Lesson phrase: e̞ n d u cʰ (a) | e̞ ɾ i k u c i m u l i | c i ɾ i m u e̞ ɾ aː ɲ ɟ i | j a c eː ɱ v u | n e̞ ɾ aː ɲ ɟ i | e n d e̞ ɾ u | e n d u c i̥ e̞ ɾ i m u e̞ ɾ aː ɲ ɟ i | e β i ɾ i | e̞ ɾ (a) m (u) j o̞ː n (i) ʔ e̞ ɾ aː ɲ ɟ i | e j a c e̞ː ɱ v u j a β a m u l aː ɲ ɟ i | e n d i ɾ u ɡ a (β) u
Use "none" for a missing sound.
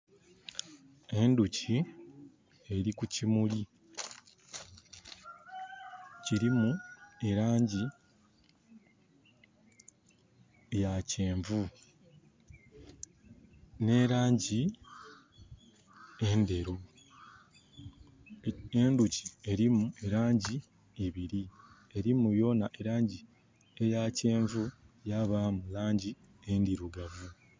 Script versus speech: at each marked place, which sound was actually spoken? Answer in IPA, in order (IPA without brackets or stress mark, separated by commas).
i, i, u, a, v